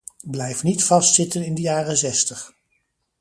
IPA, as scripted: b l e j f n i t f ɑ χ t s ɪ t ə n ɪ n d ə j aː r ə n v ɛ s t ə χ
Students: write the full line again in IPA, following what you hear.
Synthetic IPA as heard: b l ɛ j f n i t f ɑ s t s ɪ t ə n ɪ n d ə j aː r ə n z ɛ s t ə χ